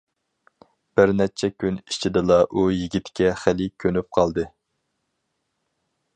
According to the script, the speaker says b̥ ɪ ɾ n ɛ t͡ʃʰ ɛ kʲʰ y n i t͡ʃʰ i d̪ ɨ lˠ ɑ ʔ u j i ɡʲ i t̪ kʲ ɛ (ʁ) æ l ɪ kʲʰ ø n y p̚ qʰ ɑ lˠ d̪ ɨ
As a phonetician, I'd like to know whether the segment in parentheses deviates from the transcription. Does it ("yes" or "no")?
yes